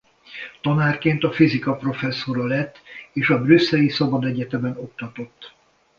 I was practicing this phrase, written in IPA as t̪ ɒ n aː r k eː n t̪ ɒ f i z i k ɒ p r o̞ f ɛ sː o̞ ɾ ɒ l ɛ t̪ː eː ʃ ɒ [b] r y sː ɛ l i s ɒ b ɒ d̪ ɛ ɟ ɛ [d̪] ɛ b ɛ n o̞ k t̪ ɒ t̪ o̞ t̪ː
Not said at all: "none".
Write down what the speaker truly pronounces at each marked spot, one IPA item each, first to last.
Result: b, t̪

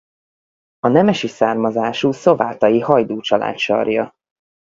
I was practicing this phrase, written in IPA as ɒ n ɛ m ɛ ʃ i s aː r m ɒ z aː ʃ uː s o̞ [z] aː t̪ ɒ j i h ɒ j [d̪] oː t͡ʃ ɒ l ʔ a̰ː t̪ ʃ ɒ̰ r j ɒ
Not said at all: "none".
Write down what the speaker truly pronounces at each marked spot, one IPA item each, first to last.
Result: v, d̪

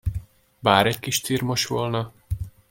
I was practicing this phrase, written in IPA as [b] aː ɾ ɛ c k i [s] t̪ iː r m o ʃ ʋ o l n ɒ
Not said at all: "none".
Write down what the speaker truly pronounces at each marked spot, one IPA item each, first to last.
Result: b, ʃ

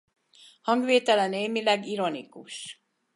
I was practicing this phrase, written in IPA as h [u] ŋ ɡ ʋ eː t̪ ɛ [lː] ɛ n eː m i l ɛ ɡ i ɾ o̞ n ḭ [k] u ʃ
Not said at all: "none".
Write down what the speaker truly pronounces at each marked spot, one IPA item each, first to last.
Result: ɒ, l, k

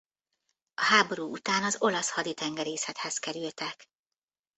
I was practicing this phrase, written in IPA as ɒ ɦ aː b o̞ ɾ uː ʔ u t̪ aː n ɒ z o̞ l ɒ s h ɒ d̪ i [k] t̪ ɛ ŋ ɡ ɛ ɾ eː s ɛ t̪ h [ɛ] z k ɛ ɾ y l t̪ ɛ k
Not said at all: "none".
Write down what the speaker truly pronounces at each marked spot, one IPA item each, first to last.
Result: none, ɛ

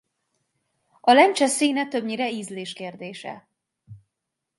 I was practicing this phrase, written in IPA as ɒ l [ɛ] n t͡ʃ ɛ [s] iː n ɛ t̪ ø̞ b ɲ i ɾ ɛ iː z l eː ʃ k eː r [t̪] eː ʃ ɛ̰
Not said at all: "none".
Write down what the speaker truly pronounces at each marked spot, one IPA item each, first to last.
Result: ɛ, s, d̪

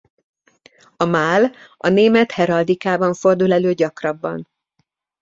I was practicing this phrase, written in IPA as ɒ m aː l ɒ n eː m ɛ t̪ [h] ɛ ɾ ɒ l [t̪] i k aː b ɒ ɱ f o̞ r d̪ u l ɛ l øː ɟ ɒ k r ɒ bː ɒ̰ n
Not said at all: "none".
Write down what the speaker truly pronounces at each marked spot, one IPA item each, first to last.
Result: h, d̪

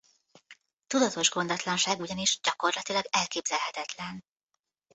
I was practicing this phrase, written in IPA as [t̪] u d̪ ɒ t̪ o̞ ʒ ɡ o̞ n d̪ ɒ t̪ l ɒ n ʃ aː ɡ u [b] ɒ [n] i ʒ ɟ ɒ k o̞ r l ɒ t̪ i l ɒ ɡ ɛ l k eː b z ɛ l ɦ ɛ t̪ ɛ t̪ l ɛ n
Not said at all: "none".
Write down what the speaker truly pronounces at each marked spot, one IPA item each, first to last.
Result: t̪, ɟ, n

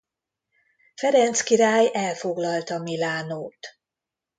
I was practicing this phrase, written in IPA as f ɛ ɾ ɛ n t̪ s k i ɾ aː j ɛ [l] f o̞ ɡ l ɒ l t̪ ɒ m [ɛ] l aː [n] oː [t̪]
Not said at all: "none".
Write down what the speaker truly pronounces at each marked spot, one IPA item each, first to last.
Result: l, i, n, t̪

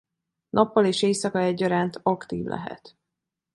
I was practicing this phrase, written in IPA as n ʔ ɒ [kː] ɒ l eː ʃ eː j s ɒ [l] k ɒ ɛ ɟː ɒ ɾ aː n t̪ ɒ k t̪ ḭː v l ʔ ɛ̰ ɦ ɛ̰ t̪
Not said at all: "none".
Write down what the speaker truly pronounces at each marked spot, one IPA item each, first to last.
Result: pː, none

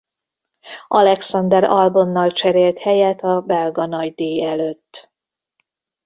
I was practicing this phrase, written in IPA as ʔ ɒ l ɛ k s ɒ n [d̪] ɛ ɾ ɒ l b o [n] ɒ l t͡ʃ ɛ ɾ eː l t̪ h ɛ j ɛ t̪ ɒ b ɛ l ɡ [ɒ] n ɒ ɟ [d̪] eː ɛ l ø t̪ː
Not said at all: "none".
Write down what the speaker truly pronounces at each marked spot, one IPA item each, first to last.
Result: d̪, nː, ɒ, d̪

